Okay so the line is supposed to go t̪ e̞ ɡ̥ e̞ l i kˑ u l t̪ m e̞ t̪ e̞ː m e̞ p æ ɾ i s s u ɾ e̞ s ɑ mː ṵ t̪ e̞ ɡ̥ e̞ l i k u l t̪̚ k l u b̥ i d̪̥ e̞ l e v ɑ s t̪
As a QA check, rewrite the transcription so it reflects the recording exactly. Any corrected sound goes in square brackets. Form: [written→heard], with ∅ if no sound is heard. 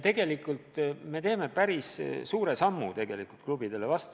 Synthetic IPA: t̪ e̞ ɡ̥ e̞ l i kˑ u l t̪ m e̞ t̪ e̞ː m e̞ p æ ɾ i s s [u→uː] ɾ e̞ s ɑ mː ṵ t̪ e̞ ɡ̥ e̞ l i k u l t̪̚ k l u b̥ i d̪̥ e̞ l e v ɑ s t̪